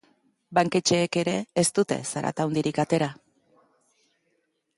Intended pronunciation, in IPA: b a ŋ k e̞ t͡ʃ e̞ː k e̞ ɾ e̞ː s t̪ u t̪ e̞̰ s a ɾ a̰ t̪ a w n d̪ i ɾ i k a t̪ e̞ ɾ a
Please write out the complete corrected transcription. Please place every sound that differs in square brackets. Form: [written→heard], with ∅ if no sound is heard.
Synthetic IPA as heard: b a ŋ k e̞ t͡ʃ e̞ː k e̞ ɾ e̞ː s t̪ u t̪ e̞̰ s a ɾ a̰ t̪ a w n d̪ i ɾ i k a t̪ e̞ ɾ a